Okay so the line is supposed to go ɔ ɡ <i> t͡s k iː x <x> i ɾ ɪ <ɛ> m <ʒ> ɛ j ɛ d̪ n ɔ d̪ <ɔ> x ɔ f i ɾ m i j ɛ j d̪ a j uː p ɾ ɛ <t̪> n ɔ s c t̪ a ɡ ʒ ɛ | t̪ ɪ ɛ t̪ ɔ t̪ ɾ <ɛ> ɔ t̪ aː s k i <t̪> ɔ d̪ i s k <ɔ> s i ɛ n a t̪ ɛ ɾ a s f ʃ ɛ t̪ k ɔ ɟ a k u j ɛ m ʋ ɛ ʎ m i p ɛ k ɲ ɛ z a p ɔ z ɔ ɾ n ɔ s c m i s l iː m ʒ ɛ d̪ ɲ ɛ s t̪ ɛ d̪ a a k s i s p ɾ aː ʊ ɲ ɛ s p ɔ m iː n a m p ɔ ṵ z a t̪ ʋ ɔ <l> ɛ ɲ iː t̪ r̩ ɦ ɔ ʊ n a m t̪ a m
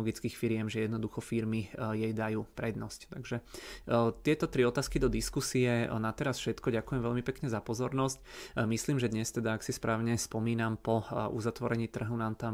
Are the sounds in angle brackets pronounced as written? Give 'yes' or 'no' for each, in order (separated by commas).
yes, no, yes, yes, no, no, no, no, no, no